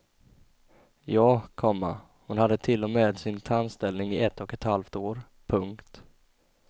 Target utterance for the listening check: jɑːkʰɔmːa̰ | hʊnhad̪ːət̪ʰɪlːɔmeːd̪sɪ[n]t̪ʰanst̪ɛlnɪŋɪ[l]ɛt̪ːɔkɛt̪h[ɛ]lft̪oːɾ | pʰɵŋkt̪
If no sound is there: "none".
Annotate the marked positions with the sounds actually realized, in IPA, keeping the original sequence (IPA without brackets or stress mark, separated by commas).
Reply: n, none, a